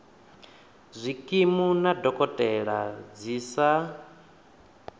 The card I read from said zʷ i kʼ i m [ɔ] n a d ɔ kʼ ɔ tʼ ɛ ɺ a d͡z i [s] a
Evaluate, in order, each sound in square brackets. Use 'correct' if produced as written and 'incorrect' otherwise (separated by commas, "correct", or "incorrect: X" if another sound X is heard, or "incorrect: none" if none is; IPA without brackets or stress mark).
incorrect: u, correct